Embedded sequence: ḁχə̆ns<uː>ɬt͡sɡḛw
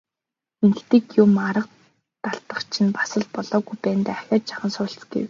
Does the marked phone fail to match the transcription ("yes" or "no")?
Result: yes